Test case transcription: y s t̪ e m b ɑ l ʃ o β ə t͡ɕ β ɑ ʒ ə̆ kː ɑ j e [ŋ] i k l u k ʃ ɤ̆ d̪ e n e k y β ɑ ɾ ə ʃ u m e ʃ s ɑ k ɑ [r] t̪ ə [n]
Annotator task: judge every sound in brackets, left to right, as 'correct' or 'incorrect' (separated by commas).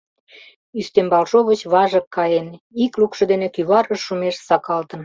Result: incorrect, incorrect, correct